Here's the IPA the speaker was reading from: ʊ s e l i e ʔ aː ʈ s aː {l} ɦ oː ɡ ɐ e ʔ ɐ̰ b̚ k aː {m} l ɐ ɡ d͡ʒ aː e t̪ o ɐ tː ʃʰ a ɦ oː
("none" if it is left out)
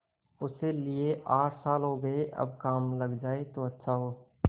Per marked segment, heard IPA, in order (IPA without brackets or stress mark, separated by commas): l, m